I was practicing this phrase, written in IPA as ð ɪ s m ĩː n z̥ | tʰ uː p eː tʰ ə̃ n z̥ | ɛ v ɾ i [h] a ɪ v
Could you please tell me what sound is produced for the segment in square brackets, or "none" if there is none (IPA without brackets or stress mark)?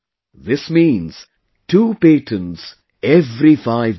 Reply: f